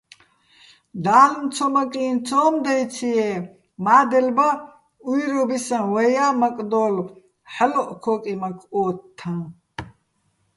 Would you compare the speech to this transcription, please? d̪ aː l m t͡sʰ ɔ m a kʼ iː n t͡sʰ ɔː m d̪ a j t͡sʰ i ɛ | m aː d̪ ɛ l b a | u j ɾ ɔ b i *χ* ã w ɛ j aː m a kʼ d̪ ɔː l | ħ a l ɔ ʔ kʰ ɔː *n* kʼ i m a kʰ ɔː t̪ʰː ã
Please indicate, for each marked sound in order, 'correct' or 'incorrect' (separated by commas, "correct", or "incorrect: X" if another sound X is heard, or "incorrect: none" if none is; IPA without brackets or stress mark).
incorrect: s, incorrect: none